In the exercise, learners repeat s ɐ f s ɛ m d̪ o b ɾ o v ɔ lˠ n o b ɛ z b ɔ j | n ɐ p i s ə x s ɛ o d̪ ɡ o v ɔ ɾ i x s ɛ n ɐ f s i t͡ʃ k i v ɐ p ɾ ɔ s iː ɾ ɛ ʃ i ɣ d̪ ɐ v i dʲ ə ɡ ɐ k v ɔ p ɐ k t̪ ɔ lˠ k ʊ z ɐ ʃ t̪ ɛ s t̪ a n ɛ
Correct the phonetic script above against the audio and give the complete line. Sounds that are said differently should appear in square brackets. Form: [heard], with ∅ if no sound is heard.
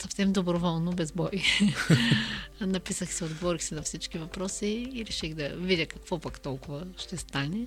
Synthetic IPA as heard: s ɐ f s ɛ m d̪ o b ɾ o v ɔ lˠ n o b ɛ z b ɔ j | n ɐ p i s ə x s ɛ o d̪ ɡ o v ɔ ɾ i x s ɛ n ɐ f s i t͡ʃ k i v ɐ p ɾ ɔ s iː ɾ ɛ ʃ i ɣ d̪ ɐ v i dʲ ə [k] ɐ k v ɔ p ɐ k t̪ ɔ lˠ k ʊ [v] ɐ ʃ t̪ ɛ s t̪ a n ɛ